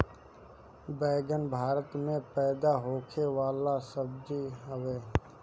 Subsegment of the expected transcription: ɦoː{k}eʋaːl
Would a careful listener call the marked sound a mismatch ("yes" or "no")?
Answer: yes